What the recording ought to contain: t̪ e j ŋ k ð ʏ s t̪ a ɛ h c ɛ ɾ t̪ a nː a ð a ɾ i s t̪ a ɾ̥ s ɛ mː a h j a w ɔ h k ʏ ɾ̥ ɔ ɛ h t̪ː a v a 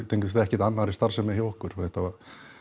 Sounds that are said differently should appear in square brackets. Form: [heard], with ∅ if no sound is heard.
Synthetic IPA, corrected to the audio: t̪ e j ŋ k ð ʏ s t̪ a ɛ h c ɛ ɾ t̪ a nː a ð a ɾ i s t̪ a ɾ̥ s ɛ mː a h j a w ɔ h k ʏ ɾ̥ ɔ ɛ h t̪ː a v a